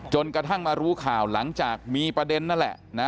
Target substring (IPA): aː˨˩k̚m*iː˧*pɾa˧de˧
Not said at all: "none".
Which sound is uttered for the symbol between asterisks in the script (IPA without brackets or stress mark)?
iː˧